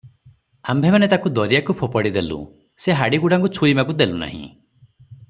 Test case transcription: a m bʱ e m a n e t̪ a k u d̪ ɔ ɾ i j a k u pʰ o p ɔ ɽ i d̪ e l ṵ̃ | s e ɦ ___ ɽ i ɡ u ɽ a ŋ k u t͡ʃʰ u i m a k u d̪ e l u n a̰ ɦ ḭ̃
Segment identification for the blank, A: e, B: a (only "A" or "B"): B